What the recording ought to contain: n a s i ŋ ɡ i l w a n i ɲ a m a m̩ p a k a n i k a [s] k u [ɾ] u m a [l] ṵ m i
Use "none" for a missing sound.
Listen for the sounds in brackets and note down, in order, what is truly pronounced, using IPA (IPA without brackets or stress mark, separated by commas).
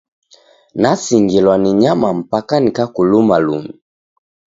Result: none, l, l